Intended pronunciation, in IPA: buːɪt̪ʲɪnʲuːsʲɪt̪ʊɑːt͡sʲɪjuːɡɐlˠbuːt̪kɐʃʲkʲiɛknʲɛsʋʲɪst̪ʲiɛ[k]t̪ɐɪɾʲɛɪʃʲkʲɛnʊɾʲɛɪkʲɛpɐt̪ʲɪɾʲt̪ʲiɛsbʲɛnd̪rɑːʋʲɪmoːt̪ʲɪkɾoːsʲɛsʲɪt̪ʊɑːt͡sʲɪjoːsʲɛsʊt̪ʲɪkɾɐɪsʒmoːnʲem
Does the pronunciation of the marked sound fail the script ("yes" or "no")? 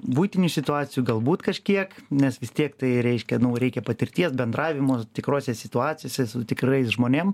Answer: no